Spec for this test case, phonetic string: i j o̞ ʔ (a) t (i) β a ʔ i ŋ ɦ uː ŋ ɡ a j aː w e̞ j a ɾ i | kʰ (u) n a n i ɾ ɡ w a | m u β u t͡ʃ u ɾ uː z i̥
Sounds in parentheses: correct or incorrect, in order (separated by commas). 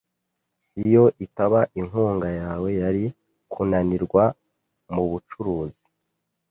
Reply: incorrect, incorrect, correct